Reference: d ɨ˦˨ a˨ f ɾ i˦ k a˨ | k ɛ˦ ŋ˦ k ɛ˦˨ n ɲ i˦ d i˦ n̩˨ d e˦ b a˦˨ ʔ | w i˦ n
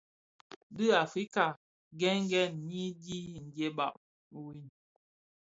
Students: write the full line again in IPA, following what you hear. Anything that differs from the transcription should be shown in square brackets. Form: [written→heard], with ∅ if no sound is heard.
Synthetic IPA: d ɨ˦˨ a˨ f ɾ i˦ k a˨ | [k→ɡ] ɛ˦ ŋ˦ [k→ɡ] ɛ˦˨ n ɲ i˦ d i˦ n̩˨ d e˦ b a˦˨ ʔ | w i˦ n